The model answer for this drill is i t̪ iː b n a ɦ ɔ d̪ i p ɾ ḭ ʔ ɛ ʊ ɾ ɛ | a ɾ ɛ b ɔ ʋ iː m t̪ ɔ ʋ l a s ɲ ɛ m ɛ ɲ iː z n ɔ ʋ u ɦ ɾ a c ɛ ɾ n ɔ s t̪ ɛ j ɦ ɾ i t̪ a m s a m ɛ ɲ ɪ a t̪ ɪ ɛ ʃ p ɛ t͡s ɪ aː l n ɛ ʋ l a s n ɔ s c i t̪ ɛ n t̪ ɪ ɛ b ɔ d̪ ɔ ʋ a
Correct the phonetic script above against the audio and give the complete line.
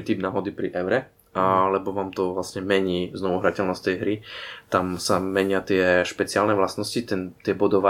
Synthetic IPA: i t̪ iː b n a ɦ ɔ d̪ i p ɾ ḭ ʔ ɛ ʊ ɾ ɛ | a l ɛ b ɔ ʋ aː m t̪ ɔ ʋ l a s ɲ ɛ m ɛ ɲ iː z n ɔ ʋ u ɦ ɾ a c ɛ l n ɔ s t̪ ɛ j ɦ ɾ i t̪ a m s a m ɛ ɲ ɪ a t̪ ɪ ɛ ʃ p ɛ t͡s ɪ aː l n ɛ ʋ l a s n ɔ s c i t̪ ɛ n t̪ ɪ ɛ b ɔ d̪ ɔ ʋ a